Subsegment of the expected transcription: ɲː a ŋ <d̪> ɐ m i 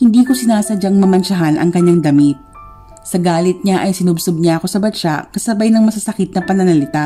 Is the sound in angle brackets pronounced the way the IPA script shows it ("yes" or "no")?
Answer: yes